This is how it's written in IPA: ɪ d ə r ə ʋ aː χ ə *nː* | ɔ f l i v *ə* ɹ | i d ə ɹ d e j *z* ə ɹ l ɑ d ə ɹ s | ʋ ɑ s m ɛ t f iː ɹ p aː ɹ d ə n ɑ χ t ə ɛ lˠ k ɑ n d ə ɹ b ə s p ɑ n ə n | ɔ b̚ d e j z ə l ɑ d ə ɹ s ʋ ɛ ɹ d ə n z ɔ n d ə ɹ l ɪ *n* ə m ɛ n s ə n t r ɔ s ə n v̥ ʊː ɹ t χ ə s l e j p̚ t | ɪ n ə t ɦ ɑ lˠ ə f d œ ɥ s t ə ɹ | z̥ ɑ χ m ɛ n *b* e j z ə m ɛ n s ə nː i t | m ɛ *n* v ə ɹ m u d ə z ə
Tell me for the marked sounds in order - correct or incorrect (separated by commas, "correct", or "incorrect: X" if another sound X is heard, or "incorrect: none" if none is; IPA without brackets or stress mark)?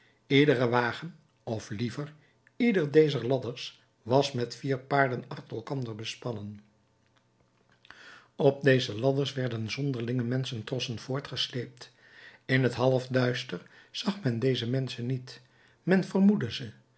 incorrect: n, correct, correct, incorrect: ŋ, incorrect: d, correct